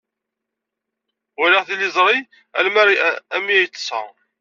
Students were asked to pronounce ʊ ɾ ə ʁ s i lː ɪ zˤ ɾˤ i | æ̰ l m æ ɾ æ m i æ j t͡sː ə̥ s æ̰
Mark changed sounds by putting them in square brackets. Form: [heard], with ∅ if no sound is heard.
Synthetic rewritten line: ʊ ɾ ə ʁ [θ] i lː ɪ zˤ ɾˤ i | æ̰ l m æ ɾ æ m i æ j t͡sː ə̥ s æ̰